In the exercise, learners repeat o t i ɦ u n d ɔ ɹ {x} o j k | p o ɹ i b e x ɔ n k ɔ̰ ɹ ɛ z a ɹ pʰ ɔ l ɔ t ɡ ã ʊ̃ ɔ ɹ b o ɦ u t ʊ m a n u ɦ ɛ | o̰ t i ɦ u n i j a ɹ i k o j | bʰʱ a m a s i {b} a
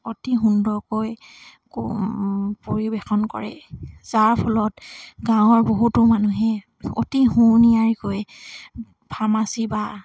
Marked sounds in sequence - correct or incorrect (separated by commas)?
incorrect, correct